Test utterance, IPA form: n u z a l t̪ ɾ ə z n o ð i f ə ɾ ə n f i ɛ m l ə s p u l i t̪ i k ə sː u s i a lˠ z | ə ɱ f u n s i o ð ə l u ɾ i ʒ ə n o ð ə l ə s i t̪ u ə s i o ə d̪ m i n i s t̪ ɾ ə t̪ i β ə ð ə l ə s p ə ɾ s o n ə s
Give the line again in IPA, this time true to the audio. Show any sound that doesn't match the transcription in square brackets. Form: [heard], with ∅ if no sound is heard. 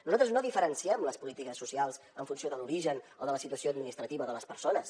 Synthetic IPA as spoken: n u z a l t̪ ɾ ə z n o ð i f ə ɾ ə n [s] i ɛ m l ə s p u l i t̪ i k ə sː u s i a lˠ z | ə ɱ f u n s i o ð ə l u ɾ i ʒ ə n o ð ə l ə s i t̪ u ə s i o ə d̪ m i n i s t̪ ɾ ə t̪ i β ə ð ə l ə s p ə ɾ s o n ə s